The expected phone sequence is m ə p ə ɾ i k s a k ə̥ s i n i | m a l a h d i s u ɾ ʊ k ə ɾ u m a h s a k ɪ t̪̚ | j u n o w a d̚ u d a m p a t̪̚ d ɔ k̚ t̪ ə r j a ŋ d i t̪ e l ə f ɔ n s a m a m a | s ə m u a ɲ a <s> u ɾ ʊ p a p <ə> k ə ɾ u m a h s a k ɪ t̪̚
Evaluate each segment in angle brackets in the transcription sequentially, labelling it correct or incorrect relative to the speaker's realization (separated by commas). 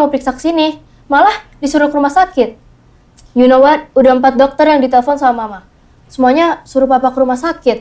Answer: correct, incorrect